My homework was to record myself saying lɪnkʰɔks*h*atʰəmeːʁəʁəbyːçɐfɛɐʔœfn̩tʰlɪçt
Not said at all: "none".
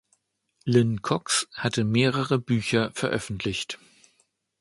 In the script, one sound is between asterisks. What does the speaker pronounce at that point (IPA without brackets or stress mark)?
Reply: h